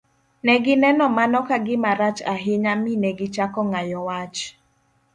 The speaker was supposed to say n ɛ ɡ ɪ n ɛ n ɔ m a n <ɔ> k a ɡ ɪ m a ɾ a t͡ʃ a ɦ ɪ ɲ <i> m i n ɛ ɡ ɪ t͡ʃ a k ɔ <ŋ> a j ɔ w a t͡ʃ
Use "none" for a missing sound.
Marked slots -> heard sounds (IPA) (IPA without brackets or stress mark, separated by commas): ɔ, a, ŋ